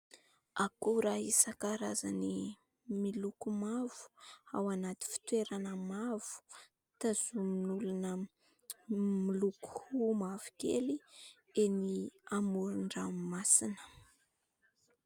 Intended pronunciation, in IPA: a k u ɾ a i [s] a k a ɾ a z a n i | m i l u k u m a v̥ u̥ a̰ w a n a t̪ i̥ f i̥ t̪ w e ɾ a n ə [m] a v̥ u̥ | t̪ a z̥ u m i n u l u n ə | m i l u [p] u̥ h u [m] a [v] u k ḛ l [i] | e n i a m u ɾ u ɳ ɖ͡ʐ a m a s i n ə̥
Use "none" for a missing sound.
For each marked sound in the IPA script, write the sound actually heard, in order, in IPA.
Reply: s, m, k, m, v, i

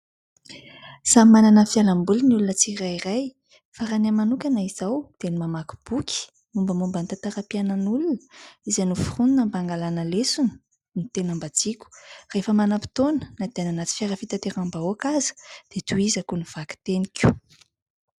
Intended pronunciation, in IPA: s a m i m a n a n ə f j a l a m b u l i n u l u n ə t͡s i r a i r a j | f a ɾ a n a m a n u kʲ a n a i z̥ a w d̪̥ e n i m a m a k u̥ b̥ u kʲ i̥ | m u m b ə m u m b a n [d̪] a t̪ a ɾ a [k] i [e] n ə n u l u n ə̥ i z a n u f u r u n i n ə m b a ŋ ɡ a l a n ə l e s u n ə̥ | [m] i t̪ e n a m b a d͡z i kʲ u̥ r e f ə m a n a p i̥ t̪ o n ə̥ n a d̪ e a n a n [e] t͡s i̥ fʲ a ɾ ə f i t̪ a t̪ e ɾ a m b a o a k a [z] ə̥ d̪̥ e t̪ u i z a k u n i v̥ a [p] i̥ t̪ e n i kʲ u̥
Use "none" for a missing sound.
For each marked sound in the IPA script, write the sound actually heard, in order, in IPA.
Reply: t̪, p, a, n, a, z, k

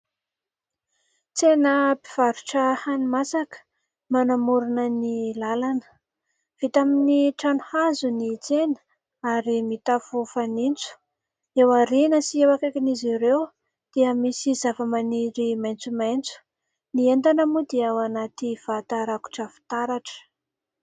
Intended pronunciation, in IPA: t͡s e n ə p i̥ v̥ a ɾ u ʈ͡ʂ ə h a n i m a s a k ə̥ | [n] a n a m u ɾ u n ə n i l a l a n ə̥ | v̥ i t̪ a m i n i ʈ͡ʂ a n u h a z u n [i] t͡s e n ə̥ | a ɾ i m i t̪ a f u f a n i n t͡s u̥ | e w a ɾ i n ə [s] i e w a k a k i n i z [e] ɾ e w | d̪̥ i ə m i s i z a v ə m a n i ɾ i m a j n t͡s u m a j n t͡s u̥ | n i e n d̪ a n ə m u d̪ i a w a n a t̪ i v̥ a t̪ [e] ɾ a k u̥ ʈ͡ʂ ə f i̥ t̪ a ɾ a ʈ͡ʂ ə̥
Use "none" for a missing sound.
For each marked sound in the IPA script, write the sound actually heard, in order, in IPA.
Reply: m, i, s, i, a

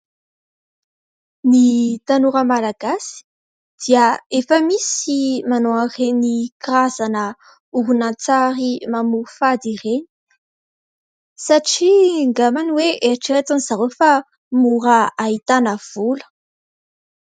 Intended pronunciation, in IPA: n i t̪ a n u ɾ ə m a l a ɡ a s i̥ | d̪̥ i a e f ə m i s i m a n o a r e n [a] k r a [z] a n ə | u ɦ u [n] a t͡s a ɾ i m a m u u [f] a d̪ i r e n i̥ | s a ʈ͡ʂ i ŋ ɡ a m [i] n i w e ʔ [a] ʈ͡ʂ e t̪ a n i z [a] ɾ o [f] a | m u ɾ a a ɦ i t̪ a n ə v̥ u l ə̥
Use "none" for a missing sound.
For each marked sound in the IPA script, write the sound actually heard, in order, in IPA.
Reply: i, z, n, f, a, e, a, f

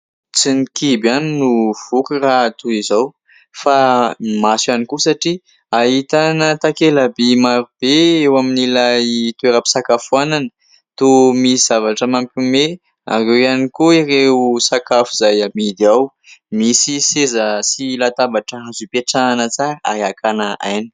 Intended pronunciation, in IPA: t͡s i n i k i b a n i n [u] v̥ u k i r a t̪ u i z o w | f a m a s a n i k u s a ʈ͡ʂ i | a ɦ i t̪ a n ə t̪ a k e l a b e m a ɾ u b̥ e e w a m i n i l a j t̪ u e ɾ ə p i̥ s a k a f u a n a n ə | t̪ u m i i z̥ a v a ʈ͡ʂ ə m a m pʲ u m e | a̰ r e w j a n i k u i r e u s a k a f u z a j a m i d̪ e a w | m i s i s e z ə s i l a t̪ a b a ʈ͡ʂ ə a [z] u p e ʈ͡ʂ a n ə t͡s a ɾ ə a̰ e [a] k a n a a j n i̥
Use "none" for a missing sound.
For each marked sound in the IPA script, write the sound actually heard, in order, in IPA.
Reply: u, z, a

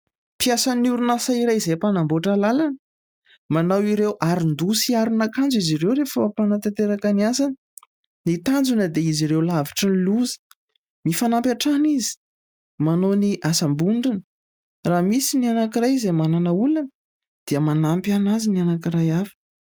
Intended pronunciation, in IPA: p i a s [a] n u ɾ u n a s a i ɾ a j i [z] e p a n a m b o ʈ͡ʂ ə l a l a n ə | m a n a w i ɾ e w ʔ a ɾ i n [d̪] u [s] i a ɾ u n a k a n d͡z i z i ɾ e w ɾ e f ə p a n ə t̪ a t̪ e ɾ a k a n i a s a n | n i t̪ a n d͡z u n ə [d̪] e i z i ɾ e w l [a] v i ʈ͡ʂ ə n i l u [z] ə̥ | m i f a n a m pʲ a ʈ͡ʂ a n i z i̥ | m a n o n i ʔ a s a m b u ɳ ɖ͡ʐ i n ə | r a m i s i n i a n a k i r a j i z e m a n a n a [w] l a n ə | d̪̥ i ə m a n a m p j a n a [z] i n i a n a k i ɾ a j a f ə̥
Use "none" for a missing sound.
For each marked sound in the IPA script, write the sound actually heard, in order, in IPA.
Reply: a, z, d̪, s, d̪, a, z, u, z

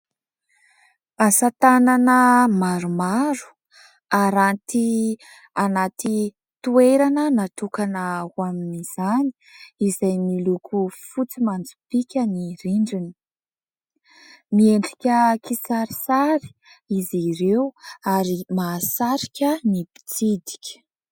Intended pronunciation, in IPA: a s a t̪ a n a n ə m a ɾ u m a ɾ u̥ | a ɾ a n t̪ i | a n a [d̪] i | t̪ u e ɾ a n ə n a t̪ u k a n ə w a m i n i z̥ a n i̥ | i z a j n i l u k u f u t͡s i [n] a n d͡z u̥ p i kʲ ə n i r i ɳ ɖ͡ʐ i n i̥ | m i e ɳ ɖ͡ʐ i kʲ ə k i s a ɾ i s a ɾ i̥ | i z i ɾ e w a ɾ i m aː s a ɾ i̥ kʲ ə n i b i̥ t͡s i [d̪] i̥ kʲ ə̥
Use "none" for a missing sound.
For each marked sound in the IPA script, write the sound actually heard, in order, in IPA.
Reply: t̪, m, d̪

